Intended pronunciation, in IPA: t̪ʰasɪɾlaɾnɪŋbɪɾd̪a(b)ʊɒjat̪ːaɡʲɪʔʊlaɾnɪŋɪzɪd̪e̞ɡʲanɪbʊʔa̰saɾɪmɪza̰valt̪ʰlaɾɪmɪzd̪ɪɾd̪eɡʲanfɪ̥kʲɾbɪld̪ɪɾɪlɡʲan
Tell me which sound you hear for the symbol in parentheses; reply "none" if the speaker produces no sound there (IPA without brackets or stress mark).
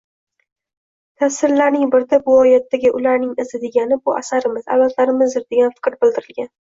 b